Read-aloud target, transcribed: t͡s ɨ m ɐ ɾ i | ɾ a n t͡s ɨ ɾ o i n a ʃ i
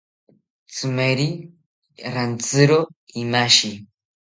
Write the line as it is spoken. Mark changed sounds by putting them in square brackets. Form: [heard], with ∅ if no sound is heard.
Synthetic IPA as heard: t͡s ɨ m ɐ ɾ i | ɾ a n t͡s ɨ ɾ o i [m] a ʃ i